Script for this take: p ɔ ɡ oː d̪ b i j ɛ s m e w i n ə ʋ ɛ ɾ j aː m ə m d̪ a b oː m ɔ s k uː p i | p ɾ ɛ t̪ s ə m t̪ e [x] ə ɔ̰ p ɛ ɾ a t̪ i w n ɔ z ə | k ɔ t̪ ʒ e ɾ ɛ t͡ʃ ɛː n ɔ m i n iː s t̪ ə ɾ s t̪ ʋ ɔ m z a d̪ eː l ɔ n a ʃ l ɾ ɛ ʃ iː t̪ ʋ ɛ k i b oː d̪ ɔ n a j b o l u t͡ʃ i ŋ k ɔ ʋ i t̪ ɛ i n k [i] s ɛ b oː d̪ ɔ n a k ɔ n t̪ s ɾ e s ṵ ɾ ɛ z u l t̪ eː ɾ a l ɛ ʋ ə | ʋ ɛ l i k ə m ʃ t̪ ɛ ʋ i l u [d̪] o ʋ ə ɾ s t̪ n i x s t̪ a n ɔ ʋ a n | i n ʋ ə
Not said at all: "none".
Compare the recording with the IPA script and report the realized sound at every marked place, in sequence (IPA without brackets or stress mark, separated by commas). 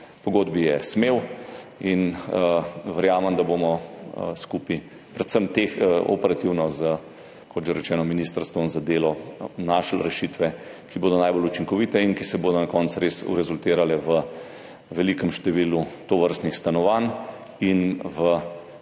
x, i, t̪